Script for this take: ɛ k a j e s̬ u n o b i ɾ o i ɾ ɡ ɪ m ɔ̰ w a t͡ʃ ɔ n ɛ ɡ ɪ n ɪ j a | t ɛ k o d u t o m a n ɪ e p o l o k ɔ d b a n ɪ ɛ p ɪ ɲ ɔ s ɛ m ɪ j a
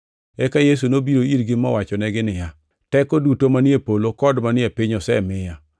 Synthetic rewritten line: ɛ k a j e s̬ u n o b i ɾ o i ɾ ɡ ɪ m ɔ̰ w a t͡ʃ ɔ n ɛ ɡ ɪ n ɪ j a | t ɛ k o d u t o m a n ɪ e p o l o k ɔ d m a n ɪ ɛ p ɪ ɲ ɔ s ɛ m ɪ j a